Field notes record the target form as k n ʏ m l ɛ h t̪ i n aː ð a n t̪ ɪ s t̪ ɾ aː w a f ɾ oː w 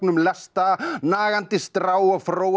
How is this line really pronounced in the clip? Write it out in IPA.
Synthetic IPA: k n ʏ m l ɛ s t̪ a n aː ɣ a n t̪ ɪ s t̪ ɾ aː w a f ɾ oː w